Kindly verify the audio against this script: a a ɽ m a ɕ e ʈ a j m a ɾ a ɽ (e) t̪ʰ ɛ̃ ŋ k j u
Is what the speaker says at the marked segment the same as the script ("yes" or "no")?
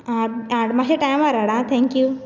no